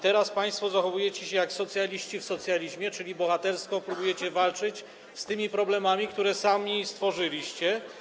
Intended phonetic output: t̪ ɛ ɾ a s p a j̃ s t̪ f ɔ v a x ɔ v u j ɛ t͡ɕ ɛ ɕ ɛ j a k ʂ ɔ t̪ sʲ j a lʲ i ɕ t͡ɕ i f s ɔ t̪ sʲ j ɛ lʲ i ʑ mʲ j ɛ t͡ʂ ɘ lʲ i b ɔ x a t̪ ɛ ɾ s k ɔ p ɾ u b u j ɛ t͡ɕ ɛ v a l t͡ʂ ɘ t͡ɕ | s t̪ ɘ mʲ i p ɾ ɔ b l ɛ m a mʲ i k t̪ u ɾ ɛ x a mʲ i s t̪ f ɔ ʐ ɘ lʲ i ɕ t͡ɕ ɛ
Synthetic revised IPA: t̪ ɛ ɾ a s p a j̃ s t̪ f ɔ z a x ɔ v u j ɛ t͡ɕ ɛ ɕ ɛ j a k s ɔ t̪ sʲ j a lʲ i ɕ t͡ɕ i f s ɔ t̪ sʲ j a lʲ i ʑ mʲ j ɛ t͡ʂ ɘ lʲ i b ɔ x a t̪ ɛ ɾ s k ɔ p ɾ u b u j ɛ t͡ɕ ɛ v a l t͡ʂ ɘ t͡ɕ | s t̪ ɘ mʲ i p ɾ ɔ b l ɛ m a mʲ i k t̪ u ɾ ɛ s a mʲ i s t̪ f ɔ ʐ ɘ lʲ i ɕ t͡ɕ ɛ